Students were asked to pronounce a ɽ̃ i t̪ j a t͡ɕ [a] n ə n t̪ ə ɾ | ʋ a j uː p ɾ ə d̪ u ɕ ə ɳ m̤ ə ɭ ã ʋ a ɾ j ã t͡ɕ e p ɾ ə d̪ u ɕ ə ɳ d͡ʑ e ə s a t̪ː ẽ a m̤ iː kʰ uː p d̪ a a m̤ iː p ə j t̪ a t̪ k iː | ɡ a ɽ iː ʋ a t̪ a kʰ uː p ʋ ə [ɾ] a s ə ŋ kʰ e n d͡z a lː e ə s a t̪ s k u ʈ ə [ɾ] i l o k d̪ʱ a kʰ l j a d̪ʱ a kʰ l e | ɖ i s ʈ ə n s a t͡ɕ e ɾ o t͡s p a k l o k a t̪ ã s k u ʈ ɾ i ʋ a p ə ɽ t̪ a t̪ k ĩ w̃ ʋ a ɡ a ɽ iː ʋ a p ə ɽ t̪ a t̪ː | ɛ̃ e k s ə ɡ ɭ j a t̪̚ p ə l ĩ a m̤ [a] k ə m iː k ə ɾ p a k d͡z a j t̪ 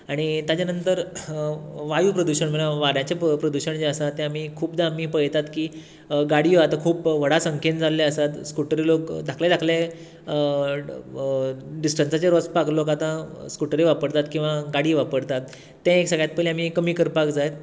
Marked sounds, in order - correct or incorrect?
correct, incorrect: ɽ, correct, incorrect: i

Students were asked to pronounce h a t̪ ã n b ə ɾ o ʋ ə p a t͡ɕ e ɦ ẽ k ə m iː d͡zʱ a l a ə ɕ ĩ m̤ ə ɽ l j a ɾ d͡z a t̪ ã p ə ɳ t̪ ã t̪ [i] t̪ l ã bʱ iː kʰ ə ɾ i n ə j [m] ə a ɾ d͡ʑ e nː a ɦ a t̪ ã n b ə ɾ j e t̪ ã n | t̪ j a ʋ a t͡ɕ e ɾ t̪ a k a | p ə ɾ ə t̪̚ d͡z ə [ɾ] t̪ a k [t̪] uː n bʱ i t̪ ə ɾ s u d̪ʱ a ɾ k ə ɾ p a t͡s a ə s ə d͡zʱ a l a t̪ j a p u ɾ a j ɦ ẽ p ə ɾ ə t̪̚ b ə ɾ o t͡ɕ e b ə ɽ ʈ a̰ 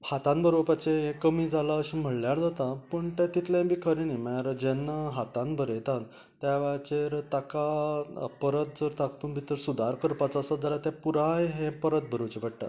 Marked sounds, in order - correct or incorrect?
correct, correct, correct, correct

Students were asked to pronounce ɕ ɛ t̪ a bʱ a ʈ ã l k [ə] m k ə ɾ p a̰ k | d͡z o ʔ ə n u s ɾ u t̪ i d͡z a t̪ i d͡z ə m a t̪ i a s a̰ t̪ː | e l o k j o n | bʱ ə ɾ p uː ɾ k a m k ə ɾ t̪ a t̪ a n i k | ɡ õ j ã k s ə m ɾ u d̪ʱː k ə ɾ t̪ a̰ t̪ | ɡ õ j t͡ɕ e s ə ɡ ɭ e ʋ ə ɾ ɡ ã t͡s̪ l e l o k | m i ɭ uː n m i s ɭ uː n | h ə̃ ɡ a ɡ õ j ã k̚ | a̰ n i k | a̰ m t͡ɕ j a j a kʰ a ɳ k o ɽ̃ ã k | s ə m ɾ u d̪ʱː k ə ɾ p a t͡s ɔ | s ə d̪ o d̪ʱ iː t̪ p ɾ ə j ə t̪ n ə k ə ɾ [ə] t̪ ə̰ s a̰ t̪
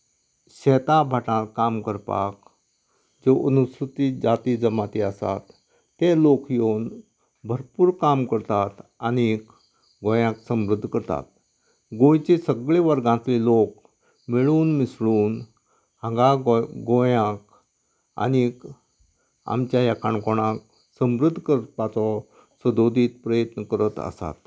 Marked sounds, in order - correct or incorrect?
incorrect: a, correct

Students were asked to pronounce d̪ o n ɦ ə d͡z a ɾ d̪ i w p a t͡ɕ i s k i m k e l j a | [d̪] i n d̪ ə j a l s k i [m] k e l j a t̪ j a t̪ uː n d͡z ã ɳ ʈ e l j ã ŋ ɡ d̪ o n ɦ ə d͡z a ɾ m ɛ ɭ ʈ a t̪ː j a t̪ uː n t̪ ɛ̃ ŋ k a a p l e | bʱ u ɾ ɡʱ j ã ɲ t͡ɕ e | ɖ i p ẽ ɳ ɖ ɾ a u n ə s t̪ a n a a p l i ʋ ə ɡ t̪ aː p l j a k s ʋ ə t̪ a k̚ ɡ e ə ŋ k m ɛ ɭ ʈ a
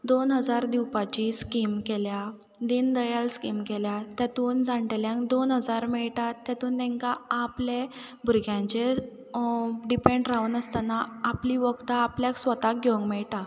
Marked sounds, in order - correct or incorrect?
correct, correct

